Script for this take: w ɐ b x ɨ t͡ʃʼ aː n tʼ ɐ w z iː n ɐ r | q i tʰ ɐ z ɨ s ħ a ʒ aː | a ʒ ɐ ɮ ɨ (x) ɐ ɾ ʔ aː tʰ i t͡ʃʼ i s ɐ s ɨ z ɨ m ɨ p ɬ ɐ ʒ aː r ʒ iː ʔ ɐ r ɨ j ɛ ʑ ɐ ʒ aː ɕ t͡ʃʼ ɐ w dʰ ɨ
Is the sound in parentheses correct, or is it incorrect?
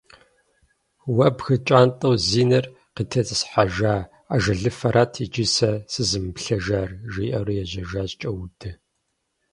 incorrect